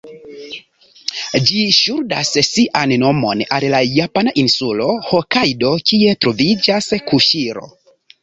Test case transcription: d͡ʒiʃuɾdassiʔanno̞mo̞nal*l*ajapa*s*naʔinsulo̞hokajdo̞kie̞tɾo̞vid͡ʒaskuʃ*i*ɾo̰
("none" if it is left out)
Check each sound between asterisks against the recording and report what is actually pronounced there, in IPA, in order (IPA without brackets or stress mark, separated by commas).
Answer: l, none, i